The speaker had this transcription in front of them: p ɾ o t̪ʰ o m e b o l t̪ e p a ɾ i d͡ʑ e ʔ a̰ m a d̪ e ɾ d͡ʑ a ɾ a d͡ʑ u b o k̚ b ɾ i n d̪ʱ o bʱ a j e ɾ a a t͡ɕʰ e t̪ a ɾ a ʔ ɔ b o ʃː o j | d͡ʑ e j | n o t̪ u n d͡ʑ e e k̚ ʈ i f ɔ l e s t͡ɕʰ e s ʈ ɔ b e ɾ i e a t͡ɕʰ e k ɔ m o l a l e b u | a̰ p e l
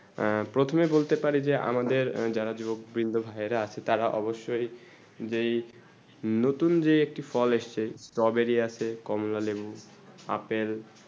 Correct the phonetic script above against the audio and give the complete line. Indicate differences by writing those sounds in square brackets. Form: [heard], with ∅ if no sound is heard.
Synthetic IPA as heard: p ɾ o t̪ʰ o m e b o l t̪ e p a ɾ i d͡ʑ e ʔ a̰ m a d̪ e ɾ d͡ʑ a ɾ a d͡ʑ u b o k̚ b ɾ i n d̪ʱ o bʱ a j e ɾ a a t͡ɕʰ e t̪ a ɾ a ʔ ɔ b o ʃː o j | d͡ʑ e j | n o t̪ u n d͡ʑ e e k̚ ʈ i f ɔ l e [ʃ] t͡ɕʰ e s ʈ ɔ b e ɾ i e a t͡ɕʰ e k ɔ m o l a l e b u | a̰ p e l